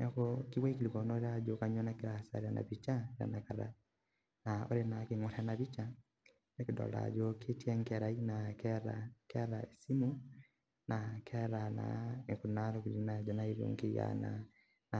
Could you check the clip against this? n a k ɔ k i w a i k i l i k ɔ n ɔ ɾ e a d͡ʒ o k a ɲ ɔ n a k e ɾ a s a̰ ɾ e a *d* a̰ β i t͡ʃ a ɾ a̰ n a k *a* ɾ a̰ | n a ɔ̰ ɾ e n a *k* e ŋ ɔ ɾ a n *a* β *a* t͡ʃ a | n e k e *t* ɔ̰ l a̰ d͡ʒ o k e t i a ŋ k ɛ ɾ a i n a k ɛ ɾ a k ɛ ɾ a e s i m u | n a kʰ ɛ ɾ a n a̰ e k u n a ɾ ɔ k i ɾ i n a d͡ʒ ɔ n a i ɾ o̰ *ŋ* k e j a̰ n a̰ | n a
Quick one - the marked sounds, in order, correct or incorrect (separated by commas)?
incorrect, correct, correct, correct, incorrect, incorrect, correct